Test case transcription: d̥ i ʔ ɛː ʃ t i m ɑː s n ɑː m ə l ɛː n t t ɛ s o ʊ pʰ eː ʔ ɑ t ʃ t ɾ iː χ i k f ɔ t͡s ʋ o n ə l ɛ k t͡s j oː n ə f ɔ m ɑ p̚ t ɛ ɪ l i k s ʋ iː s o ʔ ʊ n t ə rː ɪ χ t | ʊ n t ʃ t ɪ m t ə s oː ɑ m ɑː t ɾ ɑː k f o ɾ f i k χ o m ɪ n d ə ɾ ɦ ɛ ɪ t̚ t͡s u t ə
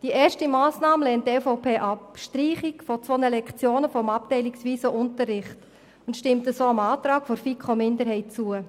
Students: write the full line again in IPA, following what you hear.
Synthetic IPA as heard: d̥ i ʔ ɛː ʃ t i m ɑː s n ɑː m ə l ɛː n t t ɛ f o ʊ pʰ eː ʔ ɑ p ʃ t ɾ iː χ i k f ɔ t͡s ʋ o n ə l ɛ k t͡s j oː n ə f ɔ m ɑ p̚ t ɛ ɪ l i k s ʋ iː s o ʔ ʊ n t ə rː ɪ χ t | ʊ n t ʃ t ɪ m t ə s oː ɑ m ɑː t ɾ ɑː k f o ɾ f i k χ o m ɪ n d ə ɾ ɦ ɛ ɪ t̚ t͡s u ə